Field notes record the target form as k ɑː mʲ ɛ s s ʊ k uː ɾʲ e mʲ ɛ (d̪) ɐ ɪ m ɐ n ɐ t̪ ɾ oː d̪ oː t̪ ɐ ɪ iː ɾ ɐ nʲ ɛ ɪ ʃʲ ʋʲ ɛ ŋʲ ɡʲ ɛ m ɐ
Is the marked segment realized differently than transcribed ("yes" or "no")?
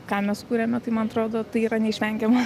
yes